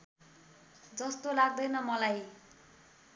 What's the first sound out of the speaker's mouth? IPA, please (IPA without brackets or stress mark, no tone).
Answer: d͡z